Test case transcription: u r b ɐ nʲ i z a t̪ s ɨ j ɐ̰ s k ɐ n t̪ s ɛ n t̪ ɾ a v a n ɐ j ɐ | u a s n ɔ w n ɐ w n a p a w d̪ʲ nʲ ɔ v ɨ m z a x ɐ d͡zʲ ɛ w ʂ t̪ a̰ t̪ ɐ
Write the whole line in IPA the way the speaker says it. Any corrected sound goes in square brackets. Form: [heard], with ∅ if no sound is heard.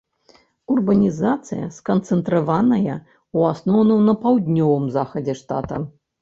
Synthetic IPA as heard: u r b ɐ nʲ i z a t̪ s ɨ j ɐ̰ s k ɐ n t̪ s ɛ n t̪ ɾ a v a n ɐ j ɐ | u a s n ɔ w n ɐ w n [ɐ] p a w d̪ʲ nʲ ɔ v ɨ m z a x ɐ d͡zʲ ɛ [∅] ʂ t̪ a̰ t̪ ɐ